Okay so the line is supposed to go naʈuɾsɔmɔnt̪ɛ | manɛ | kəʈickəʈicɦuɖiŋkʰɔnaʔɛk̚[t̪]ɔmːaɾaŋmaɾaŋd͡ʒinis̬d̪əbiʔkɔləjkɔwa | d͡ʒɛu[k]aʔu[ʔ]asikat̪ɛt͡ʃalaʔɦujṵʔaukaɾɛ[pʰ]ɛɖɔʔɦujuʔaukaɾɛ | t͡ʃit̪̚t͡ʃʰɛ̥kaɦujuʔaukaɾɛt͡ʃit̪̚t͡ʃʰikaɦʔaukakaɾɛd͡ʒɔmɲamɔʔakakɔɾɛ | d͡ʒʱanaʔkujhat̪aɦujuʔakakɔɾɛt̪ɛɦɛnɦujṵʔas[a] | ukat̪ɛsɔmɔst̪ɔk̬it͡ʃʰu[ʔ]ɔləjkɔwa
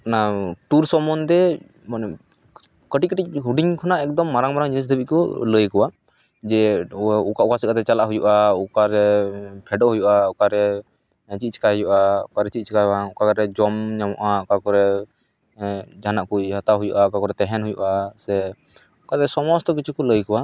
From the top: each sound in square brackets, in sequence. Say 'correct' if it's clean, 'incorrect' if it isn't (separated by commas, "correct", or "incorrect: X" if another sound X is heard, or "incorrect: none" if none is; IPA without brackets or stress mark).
incorrect: d̪, correct, incorrect: k, correct, incorrect: ɛ, incorrect: k